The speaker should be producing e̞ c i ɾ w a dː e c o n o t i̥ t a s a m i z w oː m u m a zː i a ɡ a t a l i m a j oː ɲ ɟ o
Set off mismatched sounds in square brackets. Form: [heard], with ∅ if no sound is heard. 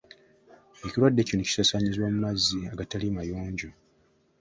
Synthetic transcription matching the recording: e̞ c i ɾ w a dː e c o n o [c] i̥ [s] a s a [ɲ] i z w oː m u m a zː i a ɡ a t a l i m a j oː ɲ ɟ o